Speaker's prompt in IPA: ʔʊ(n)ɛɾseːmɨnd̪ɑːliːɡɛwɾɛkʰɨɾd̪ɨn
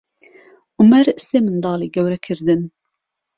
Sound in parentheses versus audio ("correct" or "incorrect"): incorrect